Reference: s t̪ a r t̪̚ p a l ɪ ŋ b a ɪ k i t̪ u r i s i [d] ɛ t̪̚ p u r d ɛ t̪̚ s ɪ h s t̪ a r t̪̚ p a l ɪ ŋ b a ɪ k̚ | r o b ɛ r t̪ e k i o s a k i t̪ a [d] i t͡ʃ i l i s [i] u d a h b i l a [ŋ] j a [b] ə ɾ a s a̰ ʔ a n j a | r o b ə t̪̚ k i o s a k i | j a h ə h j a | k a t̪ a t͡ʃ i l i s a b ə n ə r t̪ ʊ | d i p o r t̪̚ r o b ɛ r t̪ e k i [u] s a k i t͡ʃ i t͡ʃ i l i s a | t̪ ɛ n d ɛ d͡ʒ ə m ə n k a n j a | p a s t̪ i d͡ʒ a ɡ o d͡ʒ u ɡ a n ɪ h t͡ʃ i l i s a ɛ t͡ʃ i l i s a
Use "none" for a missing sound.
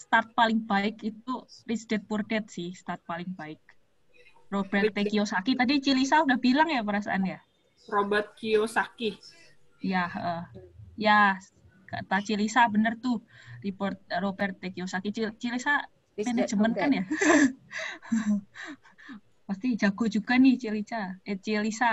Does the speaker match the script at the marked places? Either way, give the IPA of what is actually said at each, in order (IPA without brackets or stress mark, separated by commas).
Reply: d, d, a, ŋ, p, o